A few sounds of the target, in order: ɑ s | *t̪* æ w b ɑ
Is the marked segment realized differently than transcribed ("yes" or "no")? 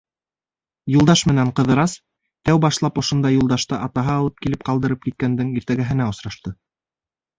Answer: no